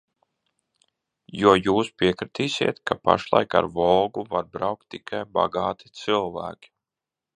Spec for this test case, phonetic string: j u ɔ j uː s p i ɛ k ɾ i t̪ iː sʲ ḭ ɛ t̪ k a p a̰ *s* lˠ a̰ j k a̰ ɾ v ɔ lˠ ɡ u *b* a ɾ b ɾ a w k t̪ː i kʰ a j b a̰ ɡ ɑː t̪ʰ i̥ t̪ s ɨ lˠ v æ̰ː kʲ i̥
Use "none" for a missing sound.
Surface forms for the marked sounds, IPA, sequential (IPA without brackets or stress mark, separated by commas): ʃ, v